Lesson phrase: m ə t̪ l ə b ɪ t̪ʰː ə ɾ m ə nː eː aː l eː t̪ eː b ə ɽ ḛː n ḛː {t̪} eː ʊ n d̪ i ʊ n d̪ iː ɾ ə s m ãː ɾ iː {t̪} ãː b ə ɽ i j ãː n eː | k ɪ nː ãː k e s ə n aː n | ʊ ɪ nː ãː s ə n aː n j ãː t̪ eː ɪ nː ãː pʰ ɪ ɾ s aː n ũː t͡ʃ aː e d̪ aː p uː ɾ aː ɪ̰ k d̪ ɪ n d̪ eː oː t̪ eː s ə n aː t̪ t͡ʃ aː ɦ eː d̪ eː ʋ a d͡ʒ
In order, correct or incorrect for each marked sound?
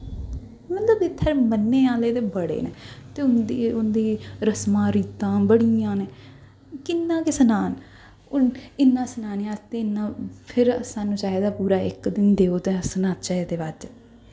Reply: correct, correct

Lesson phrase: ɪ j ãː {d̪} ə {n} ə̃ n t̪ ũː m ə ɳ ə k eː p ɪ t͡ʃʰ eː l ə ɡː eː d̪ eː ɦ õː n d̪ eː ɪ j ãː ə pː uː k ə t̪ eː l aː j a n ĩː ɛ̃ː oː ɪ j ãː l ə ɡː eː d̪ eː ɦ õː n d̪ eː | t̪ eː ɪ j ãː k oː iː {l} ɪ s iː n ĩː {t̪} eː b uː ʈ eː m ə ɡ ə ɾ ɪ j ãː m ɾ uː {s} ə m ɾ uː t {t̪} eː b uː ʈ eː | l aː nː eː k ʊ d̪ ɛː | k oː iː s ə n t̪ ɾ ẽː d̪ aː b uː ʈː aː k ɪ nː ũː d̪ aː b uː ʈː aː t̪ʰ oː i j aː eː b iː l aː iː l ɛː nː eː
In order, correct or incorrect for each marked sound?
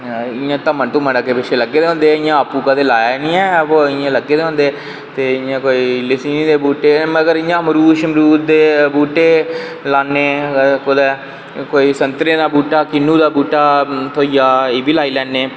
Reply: incorrect: t̪, incorrect: m, correct, incorrect: d̪, incorrect: ʃ, incorrect: d̪

